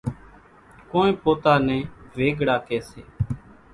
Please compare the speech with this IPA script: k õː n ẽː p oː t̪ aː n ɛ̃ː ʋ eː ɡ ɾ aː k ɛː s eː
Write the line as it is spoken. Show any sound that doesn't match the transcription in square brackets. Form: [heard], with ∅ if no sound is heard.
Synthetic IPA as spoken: k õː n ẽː p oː t̪ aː n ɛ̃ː ʋ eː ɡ [ɽ] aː k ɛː s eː